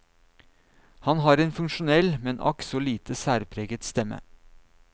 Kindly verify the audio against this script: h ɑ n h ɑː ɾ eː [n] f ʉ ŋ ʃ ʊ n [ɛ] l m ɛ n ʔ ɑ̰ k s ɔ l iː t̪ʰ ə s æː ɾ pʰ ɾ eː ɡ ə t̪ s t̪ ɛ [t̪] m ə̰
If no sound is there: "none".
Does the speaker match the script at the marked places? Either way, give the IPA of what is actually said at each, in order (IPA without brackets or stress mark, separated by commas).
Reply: n, ɛ, none